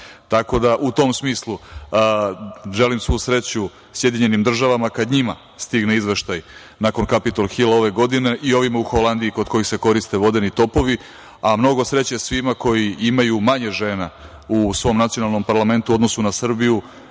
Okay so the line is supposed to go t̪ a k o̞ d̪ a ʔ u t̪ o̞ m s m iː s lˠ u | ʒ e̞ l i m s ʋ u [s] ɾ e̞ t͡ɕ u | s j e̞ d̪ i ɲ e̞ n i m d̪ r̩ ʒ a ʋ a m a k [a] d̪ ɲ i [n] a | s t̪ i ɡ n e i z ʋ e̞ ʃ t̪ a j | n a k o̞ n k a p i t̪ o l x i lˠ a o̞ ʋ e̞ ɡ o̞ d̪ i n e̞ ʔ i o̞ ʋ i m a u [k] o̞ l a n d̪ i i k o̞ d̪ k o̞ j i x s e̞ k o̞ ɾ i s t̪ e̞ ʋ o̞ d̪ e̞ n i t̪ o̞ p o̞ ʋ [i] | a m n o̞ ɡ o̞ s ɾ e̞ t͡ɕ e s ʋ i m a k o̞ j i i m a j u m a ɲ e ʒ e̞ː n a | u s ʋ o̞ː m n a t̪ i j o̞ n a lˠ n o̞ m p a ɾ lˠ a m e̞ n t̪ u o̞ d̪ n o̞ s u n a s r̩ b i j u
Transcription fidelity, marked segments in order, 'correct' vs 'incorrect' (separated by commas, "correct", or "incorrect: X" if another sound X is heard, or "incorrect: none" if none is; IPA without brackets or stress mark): correct, correct, incorrect: m, incorrect: x, correct